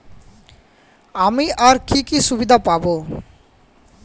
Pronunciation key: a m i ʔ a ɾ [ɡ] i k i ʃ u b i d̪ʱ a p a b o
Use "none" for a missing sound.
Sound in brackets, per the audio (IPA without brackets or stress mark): k